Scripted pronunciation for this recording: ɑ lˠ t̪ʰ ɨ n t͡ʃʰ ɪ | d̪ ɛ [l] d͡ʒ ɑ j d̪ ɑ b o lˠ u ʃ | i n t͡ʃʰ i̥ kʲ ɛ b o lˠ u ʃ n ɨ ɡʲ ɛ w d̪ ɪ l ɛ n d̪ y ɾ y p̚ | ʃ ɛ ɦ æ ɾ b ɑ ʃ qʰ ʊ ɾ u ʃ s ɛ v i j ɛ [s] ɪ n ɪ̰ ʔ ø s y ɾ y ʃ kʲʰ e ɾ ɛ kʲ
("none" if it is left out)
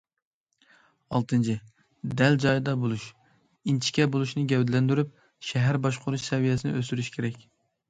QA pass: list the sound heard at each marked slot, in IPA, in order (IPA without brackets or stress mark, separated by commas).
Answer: l, s